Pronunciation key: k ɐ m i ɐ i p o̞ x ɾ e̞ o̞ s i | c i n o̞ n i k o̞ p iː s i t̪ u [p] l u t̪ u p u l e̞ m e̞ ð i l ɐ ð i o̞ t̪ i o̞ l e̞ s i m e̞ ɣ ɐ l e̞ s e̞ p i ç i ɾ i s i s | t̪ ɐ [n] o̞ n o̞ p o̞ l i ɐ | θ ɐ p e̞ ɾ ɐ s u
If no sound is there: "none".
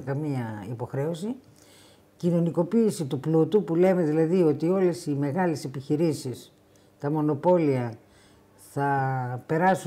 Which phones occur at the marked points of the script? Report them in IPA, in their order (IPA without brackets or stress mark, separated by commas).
p, m